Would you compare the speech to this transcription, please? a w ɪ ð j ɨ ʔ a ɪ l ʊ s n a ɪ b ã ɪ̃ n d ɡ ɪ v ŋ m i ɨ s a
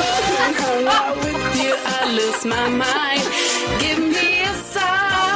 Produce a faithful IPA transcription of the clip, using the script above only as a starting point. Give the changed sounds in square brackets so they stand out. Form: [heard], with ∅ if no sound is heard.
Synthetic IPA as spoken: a w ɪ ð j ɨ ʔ a ɪ l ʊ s [m] a ɪ [m] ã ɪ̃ n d ɡ ɪ v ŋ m i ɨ s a